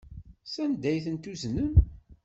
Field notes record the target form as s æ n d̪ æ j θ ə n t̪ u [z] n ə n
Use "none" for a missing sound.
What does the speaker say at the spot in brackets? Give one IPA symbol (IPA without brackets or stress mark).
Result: z